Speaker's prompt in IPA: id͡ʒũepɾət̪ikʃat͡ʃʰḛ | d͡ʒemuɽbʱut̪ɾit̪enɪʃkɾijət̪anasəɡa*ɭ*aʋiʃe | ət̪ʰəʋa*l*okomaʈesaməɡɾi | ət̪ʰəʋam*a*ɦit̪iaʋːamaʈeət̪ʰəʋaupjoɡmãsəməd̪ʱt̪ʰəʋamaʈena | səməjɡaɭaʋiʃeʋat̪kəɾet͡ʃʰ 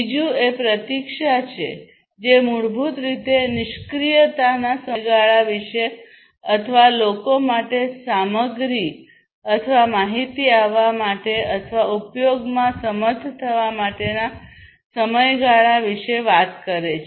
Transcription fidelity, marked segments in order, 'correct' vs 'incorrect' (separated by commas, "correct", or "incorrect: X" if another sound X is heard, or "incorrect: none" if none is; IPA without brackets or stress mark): correct, correct, correct